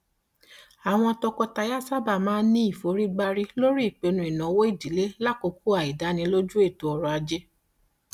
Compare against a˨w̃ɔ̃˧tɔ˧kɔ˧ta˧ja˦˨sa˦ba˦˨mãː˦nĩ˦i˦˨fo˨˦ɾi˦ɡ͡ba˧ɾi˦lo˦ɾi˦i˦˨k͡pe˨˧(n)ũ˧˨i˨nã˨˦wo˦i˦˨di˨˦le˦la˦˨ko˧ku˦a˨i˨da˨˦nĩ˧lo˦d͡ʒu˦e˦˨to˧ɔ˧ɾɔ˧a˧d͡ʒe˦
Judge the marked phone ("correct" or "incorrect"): correct